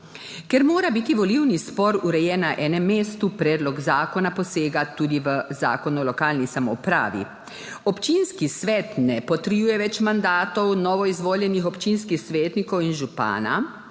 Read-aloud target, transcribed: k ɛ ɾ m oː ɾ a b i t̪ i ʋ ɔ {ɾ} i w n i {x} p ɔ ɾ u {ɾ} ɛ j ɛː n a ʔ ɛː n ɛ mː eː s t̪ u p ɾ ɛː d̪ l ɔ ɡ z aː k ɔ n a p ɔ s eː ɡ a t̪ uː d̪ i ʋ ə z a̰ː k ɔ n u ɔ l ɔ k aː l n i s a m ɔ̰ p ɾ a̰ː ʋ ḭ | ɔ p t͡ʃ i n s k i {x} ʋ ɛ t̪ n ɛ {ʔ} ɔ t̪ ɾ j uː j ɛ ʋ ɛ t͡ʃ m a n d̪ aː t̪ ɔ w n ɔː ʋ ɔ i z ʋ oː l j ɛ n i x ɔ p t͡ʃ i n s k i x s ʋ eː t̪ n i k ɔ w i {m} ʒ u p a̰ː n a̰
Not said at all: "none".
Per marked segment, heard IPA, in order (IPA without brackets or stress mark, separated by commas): l, s, ɾ, s, p, n